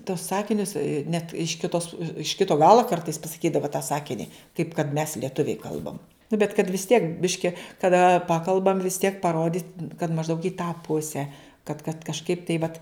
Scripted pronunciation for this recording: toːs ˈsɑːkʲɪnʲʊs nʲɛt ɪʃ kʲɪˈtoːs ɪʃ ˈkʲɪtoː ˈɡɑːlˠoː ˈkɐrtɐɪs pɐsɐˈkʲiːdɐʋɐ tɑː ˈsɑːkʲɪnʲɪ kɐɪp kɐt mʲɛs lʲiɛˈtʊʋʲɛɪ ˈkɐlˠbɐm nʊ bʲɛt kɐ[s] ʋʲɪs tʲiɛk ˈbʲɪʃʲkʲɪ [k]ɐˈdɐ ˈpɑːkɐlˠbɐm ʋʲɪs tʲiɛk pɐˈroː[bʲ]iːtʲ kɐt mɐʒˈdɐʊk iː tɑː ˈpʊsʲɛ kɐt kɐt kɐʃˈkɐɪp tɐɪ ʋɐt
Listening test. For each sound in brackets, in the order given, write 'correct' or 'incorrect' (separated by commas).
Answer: incorrect, correct, incorrect